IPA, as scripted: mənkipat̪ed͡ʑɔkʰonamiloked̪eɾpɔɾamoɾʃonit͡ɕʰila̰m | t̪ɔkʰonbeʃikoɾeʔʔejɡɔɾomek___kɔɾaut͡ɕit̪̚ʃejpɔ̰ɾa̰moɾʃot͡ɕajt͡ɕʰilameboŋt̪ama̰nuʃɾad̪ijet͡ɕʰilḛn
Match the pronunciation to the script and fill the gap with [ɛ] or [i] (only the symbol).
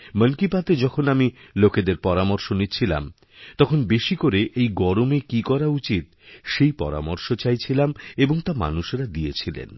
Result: i